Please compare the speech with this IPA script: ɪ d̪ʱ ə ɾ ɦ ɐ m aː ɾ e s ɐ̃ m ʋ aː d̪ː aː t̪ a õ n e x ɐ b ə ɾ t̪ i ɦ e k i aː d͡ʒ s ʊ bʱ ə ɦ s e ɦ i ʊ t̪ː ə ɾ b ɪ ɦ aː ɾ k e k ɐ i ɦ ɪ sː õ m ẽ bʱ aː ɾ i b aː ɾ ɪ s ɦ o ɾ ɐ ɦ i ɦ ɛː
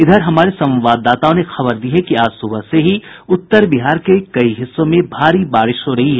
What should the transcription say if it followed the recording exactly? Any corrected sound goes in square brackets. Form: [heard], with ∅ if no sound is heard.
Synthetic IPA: ɪ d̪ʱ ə ɾ ɦ ɐ m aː ɾ e s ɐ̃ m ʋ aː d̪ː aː t̪ a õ n e x ɐ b ə ɾ [d̪] i ɦ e k i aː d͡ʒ s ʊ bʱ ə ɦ s e ɦ i ʊ t̪ː ə ɾ b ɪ ɦ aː ɾ k e k ɐ i ɦ ɪ sː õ m ẽ bʱ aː ɾ i b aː ɾ ɪ [ʃ] ɦ o ɾ ɐ ɦ i ɦ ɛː